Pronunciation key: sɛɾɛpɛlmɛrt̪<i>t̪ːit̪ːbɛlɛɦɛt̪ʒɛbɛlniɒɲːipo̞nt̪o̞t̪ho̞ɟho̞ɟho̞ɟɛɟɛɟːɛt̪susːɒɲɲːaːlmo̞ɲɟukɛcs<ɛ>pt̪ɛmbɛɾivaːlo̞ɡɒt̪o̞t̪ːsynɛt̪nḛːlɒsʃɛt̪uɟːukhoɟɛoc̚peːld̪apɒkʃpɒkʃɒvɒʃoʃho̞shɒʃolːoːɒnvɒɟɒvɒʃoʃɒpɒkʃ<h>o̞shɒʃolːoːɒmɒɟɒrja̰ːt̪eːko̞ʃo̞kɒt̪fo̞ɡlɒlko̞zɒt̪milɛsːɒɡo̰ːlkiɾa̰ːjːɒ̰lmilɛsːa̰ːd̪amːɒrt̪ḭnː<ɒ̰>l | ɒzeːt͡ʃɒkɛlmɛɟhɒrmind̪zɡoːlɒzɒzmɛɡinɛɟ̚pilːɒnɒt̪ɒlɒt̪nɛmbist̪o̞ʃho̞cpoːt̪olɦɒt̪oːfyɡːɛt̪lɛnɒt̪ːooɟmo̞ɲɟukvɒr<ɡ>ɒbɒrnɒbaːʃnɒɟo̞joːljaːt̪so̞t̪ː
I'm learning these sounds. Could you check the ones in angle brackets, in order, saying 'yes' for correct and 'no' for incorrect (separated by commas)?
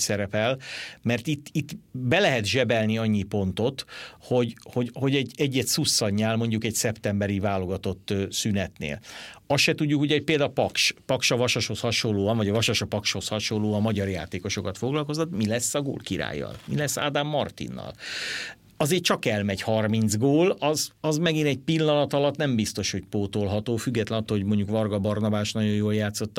yes, yes, yes, yes, yes